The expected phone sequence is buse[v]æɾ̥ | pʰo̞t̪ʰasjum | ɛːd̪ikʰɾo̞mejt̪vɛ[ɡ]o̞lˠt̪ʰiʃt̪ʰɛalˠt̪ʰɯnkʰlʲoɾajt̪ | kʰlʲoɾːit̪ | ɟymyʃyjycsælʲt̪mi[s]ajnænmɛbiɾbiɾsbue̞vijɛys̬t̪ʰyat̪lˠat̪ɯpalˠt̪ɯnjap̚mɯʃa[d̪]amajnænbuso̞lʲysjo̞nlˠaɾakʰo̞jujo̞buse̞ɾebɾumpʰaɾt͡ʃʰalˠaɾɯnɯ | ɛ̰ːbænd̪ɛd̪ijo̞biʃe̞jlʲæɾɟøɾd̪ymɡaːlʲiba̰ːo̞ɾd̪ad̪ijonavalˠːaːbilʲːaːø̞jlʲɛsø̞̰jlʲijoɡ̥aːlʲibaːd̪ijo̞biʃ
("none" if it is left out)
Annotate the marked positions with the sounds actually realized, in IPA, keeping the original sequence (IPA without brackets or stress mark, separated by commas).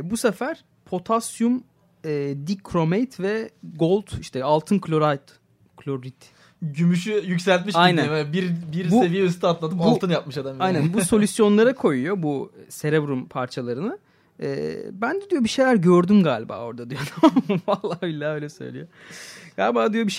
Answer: f, ɡ, ʃ, d̪